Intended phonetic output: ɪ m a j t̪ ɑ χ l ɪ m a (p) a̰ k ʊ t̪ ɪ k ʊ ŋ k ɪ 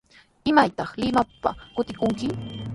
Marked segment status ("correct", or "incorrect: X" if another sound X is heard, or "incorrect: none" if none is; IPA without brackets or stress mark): correct